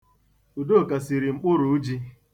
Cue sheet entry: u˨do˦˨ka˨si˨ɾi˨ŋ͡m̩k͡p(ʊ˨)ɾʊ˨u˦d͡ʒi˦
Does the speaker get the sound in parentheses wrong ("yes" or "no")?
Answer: yes